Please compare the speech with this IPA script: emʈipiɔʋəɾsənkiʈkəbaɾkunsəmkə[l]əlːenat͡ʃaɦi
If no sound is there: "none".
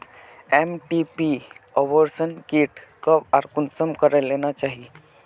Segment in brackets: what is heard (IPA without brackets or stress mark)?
ɾ